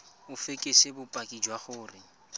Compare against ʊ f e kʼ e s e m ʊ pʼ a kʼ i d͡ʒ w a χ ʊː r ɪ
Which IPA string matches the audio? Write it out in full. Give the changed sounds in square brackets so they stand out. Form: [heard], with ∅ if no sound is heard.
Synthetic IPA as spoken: ʊ f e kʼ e s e [b] ʊ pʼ a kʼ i d͡ʒ w a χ ʊː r ɪ